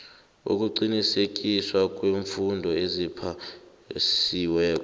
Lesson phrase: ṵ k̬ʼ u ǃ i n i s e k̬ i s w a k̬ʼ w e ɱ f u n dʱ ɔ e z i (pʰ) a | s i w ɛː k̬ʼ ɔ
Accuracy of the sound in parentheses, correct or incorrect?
correct